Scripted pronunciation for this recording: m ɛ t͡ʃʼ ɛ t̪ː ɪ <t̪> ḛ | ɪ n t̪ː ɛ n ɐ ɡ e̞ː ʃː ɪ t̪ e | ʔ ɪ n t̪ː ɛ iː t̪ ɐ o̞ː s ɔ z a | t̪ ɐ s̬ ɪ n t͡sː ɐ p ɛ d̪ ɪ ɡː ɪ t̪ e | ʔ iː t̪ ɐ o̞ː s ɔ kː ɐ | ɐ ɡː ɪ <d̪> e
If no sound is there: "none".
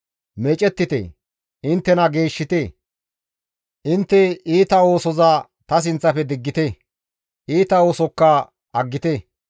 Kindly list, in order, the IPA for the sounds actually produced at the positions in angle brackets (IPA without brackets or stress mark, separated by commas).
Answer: t̪, t̪